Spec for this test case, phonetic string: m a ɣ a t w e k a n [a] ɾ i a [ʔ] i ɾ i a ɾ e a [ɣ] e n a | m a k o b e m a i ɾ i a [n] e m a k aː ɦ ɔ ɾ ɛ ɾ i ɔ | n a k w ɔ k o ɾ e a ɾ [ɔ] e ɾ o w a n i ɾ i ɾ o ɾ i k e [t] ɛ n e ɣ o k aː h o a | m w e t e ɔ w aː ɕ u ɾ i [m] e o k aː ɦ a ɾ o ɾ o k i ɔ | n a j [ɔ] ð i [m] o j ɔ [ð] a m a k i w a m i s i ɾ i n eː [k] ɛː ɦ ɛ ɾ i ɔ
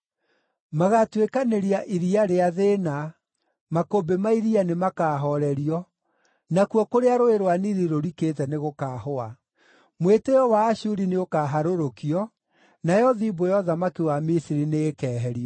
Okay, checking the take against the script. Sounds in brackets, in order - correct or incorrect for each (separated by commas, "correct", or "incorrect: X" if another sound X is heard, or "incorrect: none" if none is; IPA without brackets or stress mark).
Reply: incorrect: e, correct, incorrect: ð, correct, incorrect: o, correct, incorrect: n, correct, incorrect: b, correct, correct